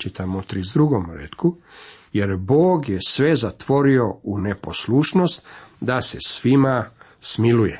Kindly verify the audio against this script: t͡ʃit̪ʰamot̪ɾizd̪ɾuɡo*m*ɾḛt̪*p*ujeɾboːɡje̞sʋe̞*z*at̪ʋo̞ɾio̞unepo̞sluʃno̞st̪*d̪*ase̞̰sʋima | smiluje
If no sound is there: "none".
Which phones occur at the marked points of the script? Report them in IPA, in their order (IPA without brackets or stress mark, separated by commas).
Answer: m, k, z, d̪